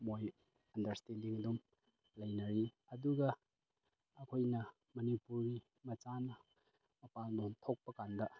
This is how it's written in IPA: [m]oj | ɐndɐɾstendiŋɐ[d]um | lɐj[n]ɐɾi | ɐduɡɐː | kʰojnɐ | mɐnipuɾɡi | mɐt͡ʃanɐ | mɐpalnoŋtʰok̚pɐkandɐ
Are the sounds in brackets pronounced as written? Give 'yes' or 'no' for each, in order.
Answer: yes, yes, yes

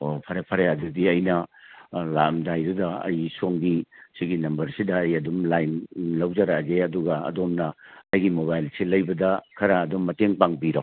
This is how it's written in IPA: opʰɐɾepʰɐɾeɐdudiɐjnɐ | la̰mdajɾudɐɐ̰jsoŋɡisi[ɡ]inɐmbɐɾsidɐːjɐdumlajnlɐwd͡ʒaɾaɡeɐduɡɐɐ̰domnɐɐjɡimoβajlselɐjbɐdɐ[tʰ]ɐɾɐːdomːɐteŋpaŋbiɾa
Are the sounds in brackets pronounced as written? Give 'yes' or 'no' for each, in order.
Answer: yes, no

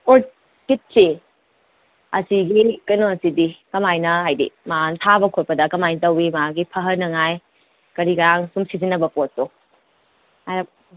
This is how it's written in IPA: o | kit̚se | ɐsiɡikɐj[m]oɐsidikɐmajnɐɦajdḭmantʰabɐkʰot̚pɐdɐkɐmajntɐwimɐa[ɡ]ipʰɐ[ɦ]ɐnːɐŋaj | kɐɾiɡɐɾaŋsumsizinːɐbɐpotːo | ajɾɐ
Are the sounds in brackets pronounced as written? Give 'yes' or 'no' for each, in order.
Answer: no, yes, yes

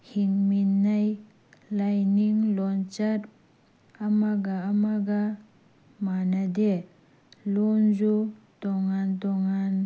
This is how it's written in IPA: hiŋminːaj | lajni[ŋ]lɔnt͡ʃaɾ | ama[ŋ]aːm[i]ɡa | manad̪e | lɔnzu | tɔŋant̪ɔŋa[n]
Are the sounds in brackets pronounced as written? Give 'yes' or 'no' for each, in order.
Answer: yes, no, no, yes

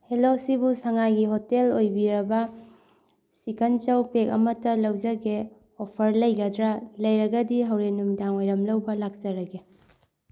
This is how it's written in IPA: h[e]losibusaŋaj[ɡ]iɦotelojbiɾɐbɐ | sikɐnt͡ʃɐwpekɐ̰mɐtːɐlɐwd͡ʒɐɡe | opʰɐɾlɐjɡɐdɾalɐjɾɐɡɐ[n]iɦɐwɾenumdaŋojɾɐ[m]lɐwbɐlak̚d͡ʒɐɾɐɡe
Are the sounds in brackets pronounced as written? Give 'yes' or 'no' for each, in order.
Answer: yes, yes, no, yes

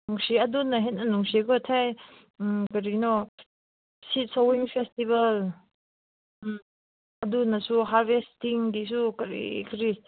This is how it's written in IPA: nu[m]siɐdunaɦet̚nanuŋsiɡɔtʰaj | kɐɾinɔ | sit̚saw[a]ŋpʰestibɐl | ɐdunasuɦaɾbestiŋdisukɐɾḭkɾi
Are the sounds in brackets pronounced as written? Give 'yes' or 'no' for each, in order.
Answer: no, no

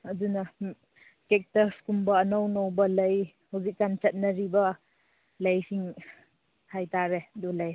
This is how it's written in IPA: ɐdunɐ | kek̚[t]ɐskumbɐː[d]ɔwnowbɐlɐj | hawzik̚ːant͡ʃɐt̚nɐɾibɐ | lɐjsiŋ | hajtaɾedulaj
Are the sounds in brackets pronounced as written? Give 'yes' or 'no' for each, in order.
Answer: yes, no

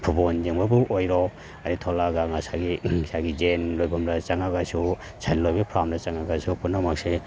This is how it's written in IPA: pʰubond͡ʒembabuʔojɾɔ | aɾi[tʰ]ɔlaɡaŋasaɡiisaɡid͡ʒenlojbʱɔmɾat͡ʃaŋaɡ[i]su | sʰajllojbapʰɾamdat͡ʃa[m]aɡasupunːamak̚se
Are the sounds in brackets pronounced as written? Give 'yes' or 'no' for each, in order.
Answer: yes, no, no

